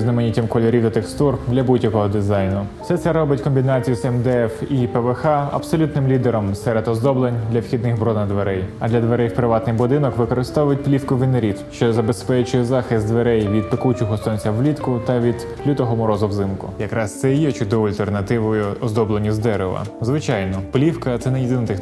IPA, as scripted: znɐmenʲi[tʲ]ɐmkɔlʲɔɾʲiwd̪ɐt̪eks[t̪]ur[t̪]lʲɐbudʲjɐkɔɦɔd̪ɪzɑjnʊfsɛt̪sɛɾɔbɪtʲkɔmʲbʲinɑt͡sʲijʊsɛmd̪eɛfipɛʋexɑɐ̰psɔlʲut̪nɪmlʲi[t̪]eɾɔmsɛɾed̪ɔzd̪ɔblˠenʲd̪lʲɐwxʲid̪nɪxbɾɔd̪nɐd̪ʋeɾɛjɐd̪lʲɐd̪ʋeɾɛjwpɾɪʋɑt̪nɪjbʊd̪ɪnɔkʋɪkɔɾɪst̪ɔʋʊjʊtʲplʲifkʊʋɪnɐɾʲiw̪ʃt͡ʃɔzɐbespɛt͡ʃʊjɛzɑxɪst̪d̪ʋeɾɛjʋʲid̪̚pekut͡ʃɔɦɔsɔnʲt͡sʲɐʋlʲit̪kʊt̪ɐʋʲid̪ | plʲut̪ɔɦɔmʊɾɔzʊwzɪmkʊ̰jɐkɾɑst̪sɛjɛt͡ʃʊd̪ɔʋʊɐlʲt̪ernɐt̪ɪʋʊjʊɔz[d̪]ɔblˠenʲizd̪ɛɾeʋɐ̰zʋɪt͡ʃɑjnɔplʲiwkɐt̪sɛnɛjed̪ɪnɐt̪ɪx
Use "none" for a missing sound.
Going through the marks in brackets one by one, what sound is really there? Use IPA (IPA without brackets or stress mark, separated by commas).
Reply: tʲ, t̪, d̪, d̪, d̪